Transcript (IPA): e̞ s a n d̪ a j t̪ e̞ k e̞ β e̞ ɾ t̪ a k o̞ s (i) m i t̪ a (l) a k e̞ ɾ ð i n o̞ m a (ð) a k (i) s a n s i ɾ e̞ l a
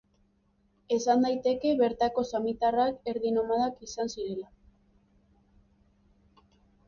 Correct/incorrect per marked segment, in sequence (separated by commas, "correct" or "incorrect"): incorrect, incorrect, correct, correct